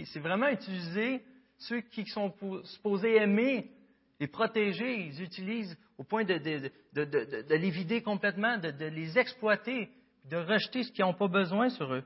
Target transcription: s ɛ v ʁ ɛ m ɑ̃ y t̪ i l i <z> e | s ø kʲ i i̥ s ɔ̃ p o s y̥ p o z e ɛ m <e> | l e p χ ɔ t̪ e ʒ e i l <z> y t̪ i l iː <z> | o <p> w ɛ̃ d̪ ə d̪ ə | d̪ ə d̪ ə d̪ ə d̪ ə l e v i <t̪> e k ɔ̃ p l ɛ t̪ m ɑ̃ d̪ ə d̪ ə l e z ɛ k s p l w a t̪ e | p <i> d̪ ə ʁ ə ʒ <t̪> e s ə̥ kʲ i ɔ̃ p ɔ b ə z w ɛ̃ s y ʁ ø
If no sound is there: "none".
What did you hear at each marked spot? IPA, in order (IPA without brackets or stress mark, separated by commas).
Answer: z, e, z, z, p, d̪, i, t̪